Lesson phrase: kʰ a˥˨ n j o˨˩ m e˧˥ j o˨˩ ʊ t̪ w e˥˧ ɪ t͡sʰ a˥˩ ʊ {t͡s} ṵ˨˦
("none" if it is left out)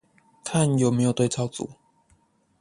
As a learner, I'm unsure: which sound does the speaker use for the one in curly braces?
t͡s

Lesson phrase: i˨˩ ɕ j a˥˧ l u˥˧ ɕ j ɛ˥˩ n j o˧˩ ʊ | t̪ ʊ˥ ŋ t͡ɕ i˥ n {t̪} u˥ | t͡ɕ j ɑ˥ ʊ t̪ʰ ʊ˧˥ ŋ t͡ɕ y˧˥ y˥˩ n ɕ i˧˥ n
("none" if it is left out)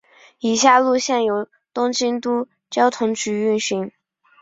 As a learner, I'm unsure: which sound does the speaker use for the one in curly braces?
t̪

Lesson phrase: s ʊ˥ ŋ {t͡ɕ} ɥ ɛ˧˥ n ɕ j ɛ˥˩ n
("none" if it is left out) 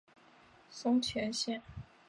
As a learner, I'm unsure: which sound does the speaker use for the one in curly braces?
t͡ɕʰ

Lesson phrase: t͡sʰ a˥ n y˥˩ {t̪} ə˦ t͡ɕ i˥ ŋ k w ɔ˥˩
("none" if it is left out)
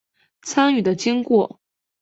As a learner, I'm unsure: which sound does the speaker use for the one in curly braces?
d̪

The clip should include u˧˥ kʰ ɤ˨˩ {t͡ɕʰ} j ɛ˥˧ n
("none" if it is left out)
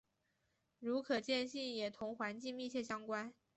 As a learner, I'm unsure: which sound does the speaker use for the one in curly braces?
t͡ɕ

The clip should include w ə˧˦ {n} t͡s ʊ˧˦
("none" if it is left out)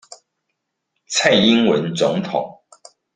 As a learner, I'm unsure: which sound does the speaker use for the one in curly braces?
n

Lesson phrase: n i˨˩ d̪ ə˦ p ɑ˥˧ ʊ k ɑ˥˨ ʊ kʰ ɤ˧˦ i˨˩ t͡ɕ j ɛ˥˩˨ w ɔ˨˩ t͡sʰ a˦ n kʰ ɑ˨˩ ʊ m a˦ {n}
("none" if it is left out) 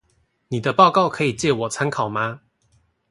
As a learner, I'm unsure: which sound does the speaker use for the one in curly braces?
none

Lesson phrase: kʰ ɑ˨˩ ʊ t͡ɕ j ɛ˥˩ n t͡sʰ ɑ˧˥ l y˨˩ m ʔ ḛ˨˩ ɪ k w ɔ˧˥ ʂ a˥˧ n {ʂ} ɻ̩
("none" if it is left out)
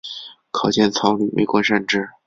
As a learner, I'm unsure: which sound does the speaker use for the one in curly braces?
ʈ͡ʂ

